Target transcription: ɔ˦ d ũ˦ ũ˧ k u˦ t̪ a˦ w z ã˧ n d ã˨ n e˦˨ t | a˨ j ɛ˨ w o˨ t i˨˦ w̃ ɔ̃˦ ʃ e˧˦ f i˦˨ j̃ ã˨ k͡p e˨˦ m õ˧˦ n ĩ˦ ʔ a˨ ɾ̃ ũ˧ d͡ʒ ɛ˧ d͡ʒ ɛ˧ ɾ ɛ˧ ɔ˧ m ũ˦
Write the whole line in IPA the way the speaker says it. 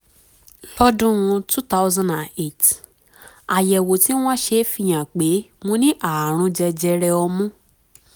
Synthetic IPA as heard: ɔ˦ d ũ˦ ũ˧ t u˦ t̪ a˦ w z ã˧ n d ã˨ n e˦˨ t | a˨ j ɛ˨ w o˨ t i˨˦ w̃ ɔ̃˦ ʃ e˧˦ f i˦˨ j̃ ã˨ k͡p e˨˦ m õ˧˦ n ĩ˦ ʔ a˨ ɾ̃ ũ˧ d͡ʒ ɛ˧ d͡ʒ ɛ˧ ɾ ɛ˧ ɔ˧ m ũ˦